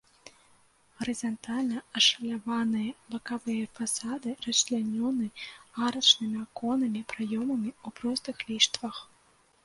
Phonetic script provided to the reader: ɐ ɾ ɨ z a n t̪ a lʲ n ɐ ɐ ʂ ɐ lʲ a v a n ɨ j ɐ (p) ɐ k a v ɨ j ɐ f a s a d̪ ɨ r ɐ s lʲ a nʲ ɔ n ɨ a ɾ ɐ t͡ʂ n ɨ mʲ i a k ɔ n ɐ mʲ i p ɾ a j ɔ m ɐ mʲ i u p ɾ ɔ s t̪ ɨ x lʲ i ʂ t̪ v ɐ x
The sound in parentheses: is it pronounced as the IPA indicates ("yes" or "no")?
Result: no